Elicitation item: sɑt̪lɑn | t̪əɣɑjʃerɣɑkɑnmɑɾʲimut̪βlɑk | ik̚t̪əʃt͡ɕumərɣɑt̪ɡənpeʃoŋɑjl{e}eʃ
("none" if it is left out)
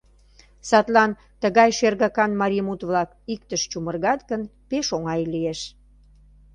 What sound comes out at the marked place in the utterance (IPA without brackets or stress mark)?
i